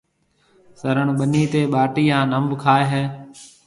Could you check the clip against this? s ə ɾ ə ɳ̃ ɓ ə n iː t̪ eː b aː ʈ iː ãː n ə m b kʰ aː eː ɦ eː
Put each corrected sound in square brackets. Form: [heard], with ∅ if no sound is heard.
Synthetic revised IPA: s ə ɾ ə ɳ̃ ɓ ə n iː t̪ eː [ɓ] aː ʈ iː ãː n ə m b kʰ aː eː ɦ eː